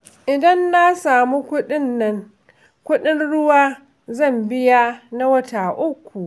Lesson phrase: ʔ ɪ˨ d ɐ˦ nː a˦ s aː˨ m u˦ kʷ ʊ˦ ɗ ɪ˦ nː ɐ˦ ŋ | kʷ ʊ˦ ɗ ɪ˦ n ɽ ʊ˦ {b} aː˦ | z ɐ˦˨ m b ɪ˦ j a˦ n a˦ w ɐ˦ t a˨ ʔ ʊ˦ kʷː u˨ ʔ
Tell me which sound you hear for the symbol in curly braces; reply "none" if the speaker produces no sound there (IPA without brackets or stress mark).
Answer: w